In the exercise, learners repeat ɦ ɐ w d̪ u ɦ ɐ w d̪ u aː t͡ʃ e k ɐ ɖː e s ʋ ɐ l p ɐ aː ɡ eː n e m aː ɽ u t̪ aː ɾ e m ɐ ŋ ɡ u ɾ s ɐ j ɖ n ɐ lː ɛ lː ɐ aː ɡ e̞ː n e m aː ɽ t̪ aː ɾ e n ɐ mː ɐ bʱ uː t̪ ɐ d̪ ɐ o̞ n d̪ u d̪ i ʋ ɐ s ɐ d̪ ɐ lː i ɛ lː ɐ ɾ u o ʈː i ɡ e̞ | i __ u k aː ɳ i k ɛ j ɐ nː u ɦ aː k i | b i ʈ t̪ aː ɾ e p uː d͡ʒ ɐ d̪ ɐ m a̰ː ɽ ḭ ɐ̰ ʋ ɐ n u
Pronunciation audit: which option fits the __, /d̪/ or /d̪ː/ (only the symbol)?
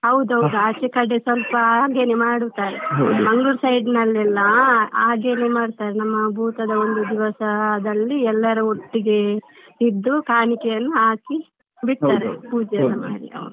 d̪ː